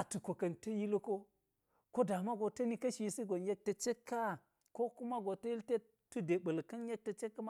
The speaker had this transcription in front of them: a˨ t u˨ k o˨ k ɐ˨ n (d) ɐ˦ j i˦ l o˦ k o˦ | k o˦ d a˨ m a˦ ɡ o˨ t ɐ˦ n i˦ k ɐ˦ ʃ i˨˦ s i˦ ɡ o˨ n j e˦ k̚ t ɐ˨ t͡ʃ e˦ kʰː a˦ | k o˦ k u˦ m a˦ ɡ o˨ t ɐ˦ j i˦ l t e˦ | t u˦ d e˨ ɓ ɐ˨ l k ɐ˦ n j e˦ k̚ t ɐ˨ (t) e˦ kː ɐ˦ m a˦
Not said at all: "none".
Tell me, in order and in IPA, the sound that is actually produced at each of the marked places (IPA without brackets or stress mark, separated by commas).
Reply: t, t͡ʃ